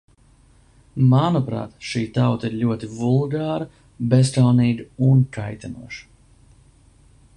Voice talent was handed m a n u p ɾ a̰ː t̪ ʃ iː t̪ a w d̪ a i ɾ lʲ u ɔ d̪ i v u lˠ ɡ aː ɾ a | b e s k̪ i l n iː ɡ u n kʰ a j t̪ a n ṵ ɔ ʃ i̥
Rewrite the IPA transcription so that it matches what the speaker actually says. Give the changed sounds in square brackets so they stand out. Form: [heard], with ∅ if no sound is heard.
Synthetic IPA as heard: m a n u p ɾ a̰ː t̪ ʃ iː t̪ a w [t̪] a i ɾ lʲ u ɔ [t̪] i v u lˠ ɡ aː ɾ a | b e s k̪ [a] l n iː ɡ u n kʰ a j t̪ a n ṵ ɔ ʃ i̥